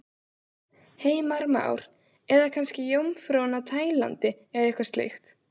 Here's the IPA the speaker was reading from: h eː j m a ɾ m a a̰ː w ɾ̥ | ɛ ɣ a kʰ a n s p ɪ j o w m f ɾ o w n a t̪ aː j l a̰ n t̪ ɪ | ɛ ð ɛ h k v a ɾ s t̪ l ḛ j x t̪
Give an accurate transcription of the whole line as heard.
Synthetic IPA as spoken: h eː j m a ɾ m a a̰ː w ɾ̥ | ɛ ð a kʰ a n s c ɪ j o w m f ɾ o w n a t̪ʰ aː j l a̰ n t̪ ɪ | ɛ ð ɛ h k v a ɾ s t̪ l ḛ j x t̪

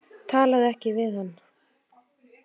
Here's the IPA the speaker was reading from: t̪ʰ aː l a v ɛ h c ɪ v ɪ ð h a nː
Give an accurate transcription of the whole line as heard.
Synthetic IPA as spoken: t̪ʰ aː l a ð ɛ h c ɪ v ɪ ð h a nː

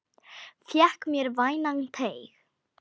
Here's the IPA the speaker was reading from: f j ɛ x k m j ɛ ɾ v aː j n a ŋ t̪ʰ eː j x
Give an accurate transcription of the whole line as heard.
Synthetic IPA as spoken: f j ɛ h k m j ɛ ɾ v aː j n a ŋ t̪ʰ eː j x

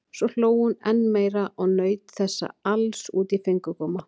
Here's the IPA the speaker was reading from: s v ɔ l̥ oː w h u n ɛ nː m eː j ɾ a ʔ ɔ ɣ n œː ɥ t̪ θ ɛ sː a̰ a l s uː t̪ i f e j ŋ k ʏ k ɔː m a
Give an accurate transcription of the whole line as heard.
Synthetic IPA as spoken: s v ɔ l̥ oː w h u n ɛ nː m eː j ɾ a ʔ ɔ ɣ n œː ɥ t̪ θ ɛ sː a̰ a l s uː t̪ i f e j ŋ k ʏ k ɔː m a

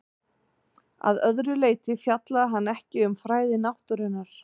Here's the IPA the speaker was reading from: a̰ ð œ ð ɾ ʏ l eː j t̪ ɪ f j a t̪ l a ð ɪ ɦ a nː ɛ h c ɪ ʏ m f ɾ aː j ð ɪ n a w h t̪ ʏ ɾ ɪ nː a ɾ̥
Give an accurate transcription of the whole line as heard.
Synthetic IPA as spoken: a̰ ð œ ð ɾ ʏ l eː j t̪ ɪ f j a t̪ l a ð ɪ ɦ a nː ɛ h c ɪ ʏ m f ɾ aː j ð ɪ n a w h t̪ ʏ ɾ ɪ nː a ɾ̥

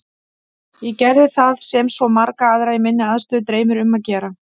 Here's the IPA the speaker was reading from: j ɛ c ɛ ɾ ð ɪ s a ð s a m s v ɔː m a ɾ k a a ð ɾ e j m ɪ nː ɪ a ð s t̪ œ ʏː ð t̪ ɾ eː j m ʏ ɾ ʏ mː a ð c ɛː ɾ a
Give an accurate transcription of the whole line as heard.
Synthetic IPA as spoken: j ɛ c ɛ ɾ ð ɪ θ a ð s ɛ m s v ɔ m a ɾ k a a ð ɾ a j m ɪ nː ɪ a ð s t̪ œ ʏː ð t̪ ɾ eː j m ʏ ɾ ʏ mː a ð c ɛː ɾ a

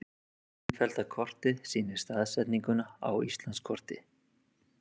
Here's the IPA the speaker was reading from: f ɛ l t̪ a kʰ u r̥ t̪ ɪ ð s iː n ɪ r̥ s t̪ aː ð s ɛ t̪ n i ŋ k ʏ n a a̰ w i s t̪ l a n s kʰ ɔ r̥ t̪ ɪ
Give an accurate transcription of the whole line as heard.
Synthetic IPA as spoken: f ɛ l t̪ a kʰ ɔ r̥ t̪ ɪ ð s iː n ɪ ɾ̥ s t̪ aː ð s ɛ t̪ n i ŋ k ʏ n a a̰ w i s t̪ l a n s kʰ ɔ r̥ t̪ ɪ

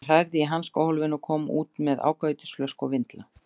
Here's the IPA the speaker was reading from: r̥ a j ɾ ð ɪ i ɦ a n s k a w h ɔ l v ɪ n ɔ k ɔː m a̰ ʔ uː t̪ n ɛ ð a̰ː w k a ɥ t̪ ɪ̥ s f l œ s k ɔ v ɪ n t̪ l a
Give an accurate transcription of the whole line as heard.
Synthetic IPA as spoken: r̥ a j ɾ ð ɪ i ɦ a n s k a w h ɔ l v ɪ n ɔ kʰ ɔː m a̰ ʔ uː t̪ m ɛ ð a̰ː w k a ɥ t̪ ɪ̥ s f l œ s k ɔ v ɪ n t̪ l a

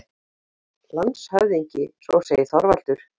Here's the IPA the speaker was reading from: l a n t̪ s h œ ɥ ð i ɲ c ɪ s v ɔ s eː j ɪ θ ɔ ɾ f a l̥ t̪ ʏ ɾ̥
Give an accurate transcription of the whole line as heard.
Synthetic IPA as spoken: l a n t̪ s h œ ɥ ð i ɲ c ɪ s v ɔ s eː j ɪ θ ɔ ɾ v a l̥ t̪ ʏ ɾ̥

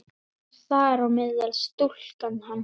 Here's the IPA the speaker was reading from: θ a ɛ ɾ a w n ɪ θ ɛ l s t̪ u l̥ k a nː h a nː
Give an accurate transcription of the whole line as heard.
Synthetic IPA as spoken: θ a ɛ ɾ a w m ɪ ð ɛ l s t̪ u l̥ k a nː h a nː

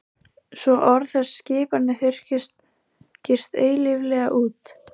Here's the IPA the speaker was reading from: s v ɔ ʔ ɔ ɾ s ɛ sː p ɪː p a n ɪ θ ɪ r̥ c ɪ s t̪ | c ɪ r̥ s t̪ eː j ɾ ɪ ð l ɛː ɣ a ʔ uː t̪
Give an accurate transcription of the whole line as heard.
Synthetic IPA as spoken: s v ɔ ʔ ɔ ɾ θ ɛ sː c ɪː p a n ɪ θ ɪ r̥ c ɪ s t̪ | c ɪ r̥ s t̪ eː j l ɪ v l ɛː ɣ a ʔ uː t̪

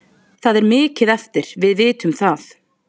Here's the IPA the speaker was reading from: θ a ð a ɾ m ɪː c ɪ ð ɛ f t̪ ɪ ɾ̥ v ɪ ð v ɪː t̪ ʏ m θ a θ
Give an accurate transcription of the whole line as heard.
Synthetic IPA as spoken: θ a ð ɛ ɾ m ɪː c ɪ ð ɛ f t̪ ɪ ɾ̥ v ɪ ð v ɪː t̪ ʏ m θ a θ

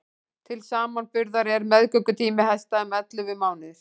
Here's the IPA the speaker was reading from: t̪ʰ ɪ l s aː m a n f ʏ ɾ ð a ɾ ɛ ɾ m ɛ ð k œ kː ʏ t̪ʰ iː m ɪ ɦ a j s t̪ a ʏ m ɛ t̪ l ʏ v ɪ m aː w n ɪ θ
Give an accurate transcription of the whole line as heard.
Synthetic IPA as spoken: t̪ʰ ɪ l s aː m a n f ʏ ɾ ð a ɾ ɛ ɾ m ɛ ð k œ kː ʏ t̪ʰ iː m ɪ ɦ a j s t̪ a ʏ m ɛ t̪ l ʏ v ɪ m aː w n ɪ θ

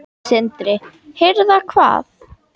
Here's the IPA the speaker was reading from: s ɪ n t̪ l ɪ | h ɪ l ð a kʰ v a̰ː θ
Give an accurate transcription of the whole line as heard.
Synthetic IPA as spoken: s ɪ n t̪ ɾ ɪ | h ɪ ɾ ð a kʰ v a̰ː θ

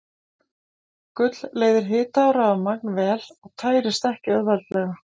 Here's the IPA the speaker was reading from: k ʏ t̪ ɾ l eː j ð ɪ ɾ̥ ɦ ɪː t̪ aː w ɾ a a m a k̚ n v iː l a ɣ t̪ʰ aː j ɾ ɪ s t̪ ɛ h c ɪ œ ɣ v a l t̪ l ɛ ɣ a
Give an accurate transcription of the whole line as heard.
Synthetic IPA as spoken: k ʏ t̪ l l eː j ð ɪ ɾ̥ ɦ ɪː t̪ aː w ɾ a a m a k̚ n v ɛː l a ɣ t̪ʰ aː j ɾ ɪ s t̪ ɛ h c ɪ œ ð v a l t̪ l ɛ ɣ a

